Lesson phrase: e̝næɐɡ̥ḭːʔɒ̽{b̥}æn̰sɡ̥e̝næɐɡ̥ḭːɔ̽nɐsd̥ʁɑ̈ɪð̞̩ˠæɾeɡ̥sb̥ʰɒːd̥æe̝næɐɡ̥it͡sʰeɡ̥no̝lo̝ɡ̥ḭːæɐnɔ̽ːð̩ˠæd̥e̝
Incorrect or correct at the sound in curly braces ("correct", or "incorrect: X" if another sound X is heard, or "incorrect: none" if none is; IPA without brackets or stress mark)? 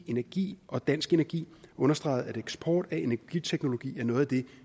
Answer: incorrect: d̥